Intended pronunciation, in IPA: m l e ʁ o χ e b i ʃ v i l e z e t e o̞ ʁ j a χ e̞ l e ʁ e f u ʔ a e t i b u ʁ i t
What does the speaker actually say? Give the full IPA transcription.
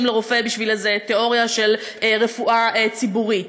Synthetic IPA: m l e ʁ o f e b i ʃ v i l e z e t e o̞ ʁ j a ʃ e̞ l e ʁ e f u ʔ a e t͡s i b u ʁ i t